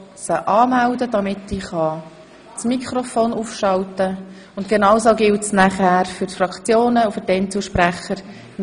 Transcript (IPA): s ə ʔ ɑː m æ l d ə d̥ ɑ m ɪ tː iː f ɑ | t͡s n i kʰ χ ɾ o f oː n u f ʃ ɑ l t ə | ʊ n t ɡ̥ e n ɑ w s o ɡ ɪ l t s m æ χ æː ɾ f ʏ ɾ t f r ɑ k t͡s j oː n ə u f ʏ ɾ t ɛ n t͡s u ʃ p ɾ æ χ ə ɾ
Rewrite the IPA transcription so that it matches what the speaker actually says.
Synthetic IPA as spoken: s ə ʔ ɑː m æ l d ə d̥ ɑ m ɪ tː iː χ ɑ | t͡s m i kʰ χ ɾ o f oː n u f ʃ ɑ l t ə | ʊ n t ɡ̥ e n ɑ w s o ɡ ɪ l t s n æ χ æː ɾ f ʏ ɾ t f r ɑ k t͡s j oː n ə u f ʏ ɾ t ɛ n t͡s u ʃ p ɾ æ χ ə ɾ

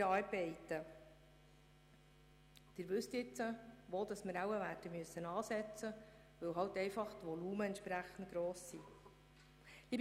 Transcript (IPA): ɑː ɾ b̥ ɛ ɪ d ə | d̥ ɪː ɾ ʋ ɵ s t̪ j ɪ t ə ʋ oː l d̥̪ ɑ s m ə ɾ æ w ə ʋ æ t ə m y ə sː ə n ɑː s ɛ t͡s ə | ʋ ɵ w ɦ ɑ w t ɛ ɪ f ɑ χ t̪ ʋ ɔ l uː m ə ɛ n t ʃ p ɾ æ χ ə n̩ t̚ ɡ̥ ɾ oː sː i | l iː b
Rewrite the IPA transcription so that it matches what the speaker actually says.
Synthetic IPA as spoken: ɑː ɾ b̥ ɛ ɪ t ə | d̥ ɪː ɾ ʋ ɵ s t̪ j ɪ t͡s ə ʋ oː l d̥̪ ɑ s m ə ɾ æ w ə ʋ æ t ə m y ə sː ə n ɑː s ɛ t͡s ə | ʋ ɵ w ɦ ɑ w t ɛ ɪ f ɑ χ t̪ ʋ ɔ l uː m ə ɛ n t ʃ p ɾ æ χ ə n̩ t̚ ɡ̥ ɾ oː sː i | l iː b

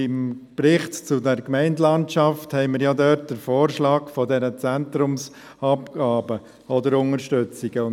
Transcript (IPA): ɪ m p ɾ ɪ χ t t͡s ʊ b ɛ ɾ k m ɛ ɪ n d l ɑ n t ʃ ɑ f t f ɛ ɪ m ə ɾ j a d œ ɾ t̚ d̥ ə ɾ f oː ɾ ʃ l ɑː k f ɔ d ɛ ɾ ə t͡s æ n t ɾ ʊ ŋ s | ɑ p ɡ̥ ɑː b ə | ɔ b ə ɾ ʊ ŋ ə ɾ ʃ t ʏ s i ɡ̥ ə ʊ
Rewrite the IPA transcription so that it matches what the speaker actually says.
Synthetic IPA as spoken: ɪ m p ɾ ɪ χ t t͡s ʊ d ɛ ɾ k m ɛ ɪ n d l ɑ n t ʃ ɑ f t h ɛ ɪ m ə ɾ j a d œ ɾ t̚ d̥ ə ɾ f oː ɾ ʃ l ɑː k f ɔ d ɛ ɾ ə t͡s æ n t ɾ ʊ m s | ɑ p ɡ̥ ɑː b ə | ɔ d ə ɾ ʊ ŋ ə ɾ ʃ t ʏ t͡s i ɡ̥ ə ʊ

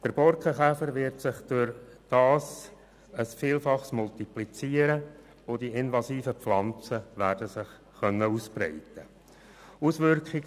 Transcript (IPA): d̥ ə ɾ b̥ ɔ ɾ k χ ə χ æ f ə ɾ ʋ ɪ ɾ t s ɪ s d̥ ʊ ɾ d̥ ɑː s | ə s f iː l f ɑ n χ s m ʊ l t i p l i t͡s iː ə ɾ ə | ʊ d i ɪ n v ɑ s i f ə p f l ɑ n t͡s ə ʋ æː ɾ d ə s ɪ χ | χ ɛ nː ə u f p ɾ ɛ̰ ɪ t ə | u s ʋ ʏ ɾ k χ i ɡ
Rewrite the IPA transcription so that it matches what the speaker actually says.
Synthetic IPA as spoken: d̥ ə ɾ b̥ ɔ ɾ k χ ə χ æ f ə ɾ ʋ ɪ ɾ t s ɪ χ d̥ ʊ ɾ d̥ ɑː s | ə s f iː l f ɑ χ s m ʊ l t i p l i t͡s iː ə ɾ ə | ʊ d i ɪ n v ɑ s iː f ə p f l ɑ n t͡s ə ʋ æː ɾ d ə s ɪ χ | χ œ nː ə u s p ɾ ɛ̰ ɪ t ə | u s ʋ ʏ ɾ k χ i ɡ

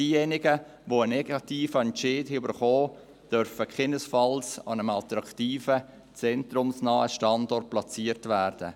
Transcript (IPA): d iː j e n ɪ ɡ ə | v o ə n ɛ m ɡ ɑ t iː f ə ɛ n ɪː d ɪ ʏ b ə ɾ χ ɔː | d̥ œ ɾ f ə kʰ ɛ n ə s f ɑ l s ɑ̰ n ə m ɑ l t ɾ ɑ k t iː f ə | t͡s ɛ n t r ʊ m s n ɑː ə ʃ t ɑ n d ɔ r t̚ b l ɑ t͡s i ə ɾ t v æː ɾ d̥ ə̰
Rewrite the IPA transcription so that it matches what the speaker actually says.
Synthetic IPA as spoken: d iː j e n ɪ ɡ ə | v o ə n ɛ ɡ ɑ t iː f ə ɛ n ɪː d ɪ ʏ b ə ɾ χ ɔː | d̥ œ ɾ f ə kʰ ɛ n ə s f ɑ l s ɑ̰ n ə m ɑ l t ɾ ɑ k t iː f ə | t͡s ɛ n t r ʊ m s n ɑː ə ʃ t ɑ n d ɔ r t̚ p l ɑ t͡s i ə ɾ t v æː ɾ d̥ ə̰

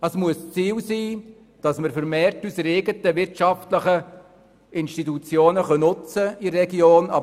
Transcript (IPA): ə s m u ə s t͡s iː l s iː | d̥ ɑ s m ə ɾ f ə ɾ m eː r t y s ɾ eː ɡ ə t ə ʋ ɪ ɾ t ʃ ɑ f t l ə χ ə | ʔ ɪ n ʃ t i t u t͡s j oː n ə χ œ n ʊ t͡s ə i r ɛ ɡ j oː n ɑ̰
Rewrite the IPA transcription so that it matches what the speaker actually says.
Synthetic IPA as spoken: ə s m u ə s t͡s iː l s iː | d̥ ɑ s m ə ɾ f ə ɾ m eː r t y s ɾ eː ɡ ə t ə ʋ ɪ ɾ t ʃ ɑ f t l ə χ ə | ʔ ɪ n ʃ t i t u t͡s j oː n ə χ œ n ʊ t͡s ə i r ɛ ɡ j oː n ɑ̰

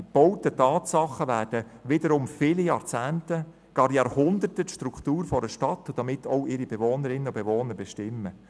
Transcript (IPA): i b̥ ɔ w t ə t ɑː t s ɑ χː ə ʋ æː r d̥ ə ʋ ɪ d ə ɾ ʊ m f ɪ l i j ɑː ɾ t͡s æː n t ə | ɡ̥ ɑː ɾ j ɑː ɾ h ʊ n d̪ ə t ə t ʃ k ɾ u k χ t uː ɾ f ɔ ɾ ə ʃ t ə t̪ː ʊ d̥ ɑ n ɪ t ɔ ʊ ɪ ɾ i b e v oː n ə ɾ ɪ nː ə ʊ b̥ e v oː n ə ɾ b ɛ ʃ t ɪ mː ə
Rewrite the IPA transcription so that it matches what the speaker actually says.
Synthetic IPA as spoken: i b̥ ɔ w t ə t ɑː t s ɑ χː ə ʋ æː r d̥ ə ʋ ɪ d ə ɾ ʊ m f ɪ l i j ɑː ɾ t͡s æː n t ə | ɡ̥ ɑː ɾ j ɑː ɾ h ʊ n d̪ ə t ə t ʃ t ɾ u k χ t uː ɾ f ɔ ɾ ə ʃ t ɑ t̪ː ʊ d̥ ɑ m ɪ t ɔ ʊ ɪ ɾ i b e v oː n ə ɾ ɪ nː ə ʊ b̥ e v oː n ə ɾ b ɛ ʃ t ɪ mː ə

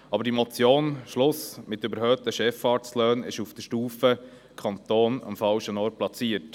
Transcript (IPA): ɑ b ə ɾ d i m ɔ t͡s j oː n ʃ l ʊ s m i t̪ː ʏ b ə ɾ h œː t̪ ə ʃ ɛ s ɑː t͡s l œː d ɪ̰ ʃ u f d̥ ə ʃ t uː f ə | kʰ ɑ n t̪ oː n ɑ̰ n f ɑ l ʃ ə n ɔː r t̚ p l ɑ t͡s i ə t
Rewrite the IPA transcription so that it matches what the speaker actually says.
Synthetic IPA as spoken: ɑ b ə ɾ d i m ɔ t͡s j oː n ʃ l ʊ s m ɪ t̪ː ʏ b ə ɾ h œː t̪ ə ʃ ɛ f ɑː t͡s l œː n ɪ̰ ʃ u f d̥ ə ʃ t uː f ə | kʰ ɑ n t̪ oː n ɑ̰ m f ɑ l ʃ ə n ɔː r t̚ p l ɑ t͡s i ə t

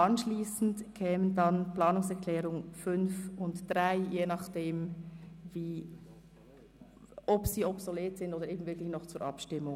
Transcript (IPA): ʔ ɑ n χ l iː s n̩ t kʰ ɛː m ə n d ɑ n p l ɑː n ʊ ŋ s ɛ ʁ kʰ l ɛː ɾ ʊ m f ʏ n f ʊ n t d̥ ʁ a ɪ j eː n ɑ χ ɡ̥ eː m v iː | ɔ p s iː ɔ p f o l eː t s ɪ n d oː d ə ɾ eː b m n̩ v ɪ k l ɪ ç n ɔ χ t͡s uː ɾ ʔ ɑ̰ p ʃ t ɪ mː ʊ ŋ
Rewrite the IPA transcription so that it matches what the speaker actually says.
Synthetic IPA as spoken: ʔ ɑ n ʃ l iː s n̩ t kʰ ɛː m ə n d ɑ n p l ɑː n ʊ ŋ s ɛ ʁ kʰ l ɛː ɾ ʊ ŋ f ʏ n f ʊ n t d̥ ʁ a ɪ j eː n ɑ χ d̥ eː m v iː | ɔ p s iː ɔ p s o l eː t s ɪ n d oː d ə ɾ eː b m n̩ v ɪ k l ɪ ç n ɔ χ t͡s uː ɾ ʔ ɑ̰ p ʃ t ɪ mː ʊ ŋ

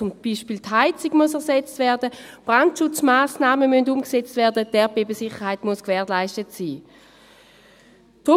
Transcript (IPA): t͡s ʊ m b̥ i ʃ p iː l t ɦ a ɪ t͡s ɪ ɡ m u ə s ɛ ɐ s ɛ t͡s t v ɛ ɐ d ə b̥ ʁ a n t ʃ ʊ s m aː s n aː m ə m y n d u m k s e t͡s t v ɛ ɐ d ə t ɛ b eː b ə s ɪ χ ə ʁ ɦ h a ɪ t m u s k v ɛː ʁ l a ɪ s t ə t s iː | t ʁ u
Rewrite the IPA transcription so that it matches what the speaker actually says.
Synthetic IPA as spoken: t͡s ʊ m b̥ i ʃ p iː l t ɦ a ɪ t͡s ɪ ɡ m u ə s ɛ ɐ s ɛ t͡s t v ɛ ɐ d ə b̥ ʁ a n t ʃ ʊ t͡s m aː s n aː m ə m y n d u m k s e t͡s t v ɛ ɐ d ə t ɛ b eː b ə s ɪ χ ə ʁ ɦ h a ɪ t m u s k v ɛː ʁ l a ɪ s t ə t s iː | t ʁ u

